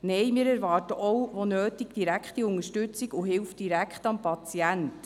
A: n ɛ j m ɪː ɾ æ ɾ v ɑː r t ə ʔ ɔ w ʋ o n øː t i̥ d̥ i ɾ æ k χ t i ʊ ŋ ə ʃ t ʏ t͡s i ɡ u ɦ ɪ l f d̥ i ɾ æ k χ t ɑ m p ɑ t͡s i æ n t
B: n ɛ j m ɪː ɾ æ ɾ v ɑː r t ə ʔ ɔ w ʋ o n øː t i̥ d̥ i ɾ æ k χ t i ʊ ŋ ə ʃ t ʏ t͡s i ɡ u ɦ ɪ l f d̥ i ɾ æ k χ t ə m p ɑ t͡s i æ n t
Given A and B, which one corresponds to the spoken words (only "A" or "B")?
A